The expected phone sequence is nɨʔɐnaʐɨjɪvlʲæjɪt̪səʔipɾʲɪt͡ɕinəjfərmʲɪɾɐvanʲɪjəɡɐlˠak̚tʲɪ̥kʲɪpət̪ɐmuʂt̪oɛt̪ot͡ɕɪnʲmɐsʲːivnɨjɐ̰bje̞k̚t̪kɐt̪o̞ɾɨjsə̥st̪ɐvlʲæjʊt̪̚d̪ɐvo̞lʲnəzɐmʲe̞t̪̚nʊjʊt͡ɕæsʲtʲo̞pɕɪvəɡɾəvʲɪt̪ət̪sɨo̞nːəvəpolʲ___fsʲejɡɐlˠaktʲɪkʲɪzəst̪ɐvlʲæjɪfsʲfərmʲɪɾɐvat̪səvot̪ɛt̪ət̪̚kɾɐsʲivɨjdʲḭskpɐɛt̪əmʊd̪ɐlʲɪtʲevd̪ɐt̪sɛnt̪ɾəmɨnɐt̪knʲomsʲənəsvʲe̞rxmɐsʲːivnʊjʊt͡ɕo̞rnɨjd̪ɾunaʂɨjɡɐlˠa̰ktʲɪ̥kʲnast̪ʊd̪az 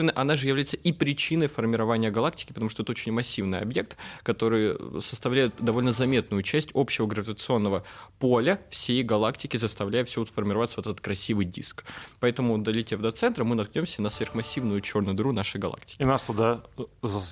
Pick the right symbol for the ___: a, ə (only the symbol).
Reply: ə